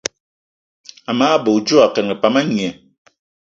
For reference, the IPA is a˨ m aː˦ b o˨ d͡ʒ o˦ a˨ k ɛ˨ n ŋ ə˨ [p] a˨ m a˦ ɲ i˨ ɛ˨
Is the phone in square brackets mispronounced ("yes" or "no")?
no